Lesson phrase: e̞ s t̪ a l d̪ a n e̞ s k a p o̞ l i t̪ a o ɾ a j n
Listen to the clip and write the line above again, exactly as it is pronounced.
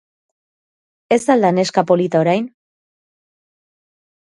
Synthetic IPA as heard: e̞ s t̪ a l d̪ a n e̞ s k a p o̞ l i t̪ a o ɾ a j n

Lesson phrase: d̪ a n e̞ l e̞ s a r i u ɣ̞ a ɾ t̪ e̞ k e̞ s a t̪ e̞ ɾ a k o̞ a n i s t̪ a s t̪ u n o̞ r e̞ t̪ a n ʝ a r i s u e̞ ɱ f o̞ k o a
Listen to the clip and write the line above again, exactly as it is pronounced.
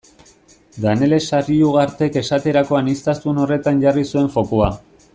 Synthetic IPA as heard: d̪ a n e̞ l e̞ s a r i u ɣ̞ a ɾ t̪ e̞ k e̞ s a t̪ e̞ ɾ a k o̞ a n i s t̪ a s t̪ u n o̞ r e̞ t̪ a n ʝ a r i s u e̞ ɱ f o̞ k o a

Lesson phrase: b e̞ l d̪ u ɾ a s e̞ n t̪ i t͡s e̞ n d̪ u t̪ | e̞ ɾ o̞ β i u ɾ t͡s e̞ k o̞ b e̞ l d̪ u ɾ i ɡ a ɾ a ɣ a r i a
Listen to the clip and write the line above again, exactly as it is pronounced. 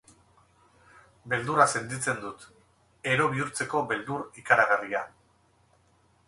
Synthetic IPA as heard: b e̞ l d̪ u ɾ a s e̞ n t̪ i t͡s e̞ n d̪ u t̪ | e̞ ɾ o̞ β i u ɾ t͡s e̞ k o̞ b e̞ l d̪ u ɾ i k a ɾ a ɣ a r i a

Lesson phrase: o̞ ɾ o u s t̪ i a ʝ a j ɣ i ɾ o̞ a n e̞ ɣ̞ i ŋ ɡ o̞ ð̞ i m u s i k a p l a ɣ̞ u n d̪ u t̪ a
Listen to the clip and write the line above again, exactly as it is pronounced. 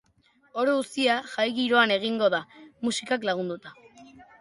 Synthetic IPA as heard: o̞ ɾ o u s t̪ i a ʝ a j ɣ i ɾ o̞ a n e̞ ɣ̞ i ŋ ɡ o̞ ð̞ a m u s i k a k l a ɣ̞ u n d̪ u t̪ a

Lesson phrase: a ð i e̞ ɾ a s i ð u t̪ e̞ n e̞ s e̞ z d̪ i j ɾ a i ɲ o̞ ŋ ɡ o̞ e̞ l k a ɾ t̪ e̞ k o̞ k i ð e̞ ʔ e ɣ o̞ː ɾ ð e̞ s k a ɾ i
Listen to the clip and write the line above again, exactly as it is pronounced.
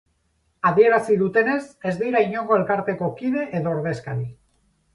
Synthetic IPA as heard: a ð i e̞ ɾ a s i ð u t̪ e̞ n e̞ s e̞ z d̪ i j ɾ a i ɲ o̞ ŋ ɡ o̞ e̞ l k a ɾ t̪ e̞ k o̞ k i ð e̞ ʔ e ð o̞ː ɾ ð e̞ s k a ɾ i

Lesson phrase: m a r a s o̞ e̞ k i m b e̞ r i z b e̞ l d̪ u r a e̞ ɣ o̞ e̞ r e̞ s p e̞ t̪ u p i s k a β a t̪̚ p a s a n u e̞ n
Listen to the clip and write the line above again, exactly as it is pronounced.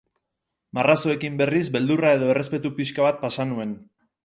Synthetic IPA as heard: m a r a s o̞ e̞ k i m b e̞ r i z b e̞ l d̪ u r a e̞ ð o̞ e̞ r e̞ s p e̞ t̪ u p i s k a β a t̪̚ p a s a n u e̞ n

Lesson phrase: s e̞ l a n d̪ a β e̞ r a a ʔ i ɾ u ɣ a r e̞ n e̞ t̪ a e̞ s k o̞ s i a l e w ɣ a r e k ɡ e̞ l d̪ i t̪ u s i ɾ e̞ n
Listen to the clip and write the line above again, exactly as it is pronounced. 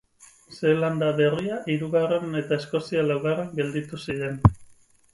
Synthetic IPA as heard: s e̞ l a n d̪ a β e̞ r i a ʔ i ɾ u ɣ a r e̞ n e̞ t̪ a e̞ s k o̞ s i a l a w ɣ a r e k ɡ e̞ l d̪ i t̪ u s i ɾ e̞ n

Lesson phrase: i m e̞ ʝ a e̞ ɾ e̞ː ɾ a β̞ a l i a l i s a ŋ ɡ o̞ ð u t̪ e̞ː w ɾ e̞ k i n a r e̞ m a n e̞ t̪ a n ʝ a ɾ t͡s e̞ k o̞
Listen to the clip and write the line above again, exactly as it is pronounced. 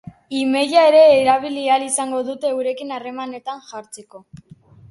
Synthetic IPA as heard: i m e̞ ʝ a e̞ ɾ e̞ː ɾ a β̞ i l i a l i s a ŋ ɡ o̞ ð u t̪ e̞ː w ɾ e̞ k i n a r e̞ m a n e̞ t̪ a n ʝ a ɾ t͡s e̞ k o̞

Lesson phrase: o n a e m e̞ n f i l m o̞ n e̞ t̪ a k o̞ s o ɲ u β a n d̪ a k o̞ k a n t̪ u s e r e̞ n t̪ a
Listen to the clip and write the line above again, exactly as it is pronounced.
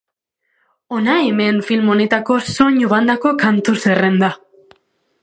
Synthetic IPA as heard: o n a e m e̞ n f i l m o̞ n e̞ t̪ a k o̞ s o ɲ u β a n d̪ a k o̞ k a n t̪ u s e r e̞ n d̪ a

